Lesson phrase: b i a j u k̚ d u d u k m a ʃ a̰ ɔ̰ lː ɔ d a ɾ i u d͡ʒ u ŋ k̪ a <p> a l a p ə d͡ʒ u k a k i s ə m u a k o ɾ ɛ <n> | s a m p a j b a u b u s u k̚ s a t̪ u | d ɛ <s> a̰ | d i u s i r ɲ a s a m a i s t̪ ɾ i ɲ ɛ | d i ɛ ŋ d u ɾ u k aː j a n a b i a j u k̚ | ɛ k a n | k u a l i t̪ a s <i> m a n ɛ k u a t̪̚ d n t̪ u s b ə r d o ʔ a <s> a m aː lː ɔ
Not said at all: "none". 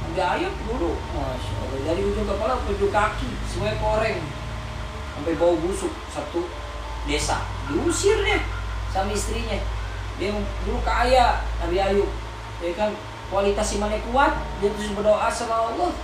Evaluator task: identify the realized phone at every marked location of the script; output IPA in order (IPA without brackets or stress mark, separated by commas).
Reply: p, ŋ, s, i, s